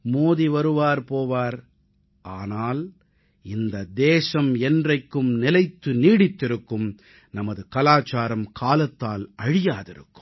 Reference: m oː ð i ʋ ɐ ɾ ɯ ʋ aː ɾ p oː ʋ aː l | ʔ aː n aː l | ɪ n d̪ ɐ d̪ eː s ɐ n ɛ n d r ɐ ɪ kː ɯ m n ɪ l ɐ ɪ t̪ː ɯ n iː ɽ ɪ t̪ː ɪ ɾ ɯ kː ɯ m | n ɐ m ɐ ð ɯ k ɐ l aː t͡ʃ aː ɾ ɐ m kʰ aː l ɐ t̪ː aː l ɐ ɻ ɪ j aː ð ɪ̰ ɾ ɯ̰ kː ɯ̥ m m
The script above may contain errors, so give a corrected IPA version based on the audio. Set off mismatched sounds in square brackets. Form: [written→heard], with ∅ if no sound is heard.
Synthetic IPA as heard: m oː ð i ʋ ɐ ɾ ɯ ʋ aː ɾ p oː ʋ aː [l→ɾ] | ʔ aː n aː l | ɪ n d̪ ɐ d̪ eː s ɐ [n→m] ɛ n d r ɐ ɪ kː ɯ m n ɪ l ɐ ɪ t̪ː ɯ n iː ɽ ɪ t̪ː ɪ ɾ ɯ kː ɯ m | n ɐ m ɐ ð ɯ k ɐ l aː t͡ʃ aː ɾ ɐ m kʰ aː l ɐ t̪ː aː l ɐ ɻ ɪ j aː ð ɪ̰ ɾ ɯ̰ kː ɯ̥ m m